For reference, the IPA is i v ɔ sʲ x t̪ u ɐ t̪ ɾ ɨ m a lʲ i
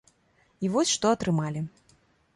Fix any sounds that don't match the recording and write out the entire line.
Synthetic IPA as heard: i v ɔ sʲ ʂ t̪ ɔ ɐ t̪ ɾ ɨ m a lʲ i